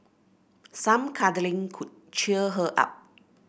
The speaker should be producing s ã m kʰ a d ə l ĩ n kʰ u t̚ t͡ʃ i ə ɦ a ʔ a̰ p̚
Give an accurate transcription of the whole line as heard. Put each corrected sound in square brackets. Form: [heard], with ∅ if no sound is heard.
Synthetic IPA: s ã m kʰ a d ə l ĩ [ŋ] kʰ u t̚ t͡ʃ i ə ɦ [ə] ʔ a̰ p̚